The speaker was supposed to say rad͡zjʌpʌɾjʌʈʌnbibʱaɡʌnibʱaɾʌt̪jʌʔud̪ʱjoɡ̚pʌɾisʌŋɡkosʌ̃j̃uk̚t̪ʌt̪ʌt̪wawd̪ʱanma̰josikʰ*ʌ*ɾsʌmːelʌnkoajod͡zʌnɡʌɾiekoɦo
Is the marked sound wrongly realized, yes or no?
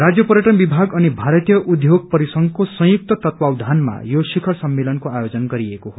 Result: no